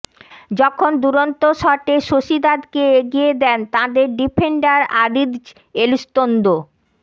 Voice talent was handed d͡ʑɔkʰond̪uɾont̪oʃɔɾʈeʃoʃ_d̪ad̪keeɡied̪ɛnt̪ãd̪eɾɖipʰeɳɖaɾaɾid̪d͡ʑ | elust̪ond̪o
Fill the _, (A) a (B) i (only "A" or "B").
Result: B